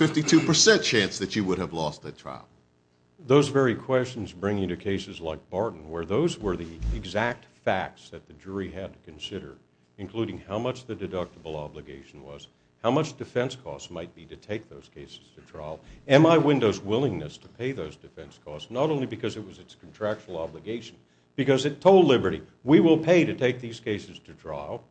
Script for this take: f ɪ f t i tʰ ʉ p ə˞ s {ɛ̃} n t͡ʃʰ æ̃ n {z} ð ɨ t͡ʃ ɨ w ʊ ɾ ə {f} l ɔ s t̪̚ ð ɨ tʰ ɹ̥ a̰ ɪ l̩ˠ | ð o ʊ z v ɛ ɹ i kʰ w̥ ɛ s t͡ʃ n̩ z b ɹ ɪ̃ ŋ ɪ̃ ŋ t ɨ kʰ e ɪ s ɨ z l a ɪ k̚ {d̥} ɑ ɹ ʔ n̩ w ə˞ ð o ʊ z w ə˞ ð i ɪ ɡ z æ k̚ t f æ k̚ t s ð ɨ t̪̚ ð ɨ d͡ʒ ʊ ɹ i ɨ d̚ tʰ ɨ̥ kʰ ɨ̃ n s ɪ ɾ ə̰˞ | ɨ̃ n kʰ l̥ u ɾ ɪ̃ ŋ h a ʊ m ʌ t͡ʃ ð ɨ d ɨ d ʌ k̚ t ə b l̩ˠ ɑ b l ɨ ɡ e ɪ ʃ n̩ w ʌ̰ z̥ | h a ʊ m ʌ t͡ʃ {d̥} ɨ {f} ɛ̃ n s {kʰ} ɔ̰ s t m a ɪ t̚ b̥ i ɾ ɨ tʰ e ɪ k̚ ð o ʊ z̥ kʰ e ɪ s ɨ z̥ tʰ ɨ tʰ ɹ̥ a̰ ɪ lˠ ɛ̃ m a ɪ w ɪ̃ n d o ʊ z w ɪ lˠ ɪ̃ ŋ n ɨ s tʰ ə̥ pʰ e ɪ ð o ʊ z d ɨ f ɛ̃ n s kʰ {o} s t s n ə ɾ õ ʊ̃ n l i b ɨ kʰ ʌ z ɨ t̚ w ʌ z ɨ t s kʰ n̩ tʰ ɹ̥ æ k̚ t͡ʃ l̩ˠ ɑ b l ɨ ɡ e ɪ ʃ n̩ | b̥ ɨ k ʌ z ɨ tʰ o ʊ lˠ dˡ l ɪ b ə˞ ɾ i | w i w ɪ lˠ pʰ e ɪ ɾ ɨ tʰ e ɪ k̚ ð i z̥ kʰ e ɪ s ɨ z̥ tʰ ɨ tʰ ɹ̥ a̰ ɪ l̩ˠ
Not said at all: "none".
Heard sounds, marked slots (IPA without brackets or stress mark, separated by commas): ɛ̃, s, v, b̥, d̥, f, kʰ, ɔ